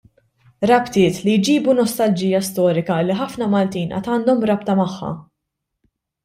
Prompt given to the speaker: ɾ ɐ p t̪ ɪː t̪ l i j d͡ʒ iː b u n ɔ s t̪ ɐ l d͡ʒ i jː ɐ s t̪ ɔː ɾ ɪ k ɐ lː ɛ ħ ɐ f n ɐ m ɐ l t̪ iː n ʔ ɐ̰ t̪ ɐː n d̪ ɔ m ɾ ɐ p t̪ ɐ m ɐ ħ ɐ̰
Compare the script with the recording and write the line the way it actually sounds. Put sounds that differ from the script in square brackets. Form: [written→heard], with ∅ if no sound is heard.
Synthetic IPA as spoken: ɾ ɐ p t̪ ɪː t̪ l i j d͡ʒ iː b u n ɔ s t̪ ɐ l d͡ʒ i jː ɐ s t̪ ɔː ɾ ɪ k ɐ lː [ɛ→i] ħ ɐ f n ɐ m ɐ l t̪ iː n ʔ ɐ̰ t̪ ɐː n d̪ ɔ m ɾ ɐ p t̪ ɐ m ɐ [ħ→ħː] ɐ̰